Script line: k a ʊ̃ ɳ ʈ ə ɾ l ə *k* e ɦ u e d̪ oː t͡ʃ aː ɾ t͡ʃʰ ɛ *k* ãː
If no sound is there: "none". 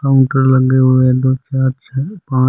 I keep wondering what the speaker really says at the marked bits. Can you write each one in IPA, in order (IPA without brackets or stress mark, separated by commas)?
ɡ, p